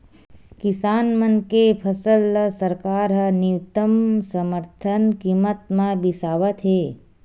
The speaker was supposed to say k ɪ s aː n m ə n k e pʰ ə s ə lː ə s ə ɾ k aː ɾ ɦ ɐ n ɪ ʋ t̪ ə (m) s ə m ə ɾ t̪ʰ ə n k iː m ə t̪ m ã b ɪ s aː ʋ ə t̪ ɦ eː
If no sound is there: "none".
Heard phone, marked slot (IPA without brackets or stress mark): m